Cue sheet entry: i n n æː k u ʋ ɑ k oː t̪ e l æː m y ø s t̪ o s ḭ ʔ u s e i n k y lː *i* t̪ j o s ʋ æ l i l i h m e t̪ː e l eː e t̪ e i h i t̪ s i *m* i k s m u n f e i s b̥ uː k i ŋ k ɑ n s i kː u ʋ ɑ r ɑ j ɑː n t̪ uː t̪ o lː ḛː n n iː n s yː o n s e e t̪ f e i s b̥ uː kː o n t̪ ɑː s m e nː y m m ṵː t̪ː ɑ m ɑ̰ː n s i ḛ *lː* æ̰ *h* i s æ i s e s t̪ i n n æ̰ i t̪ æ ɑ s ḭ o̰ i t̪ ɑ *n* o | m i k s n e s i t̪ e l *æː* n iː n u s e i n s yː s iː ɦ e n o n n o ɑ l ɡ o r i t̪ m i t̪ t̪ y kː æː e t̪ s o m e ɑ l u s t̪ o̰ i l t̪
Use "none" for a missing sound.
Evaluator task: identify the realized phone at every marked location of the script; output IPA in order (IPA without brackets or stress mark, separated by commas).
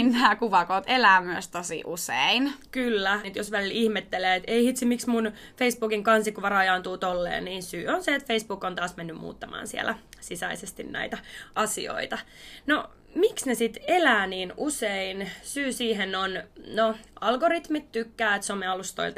æ, m, l, s, n, æː